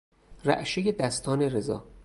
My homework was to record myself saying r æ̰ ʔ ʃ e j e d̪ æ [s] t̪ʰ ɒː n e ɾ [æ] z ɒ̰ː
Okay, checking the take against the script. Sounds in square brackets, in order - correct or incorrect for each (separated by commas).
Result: correct, incorrect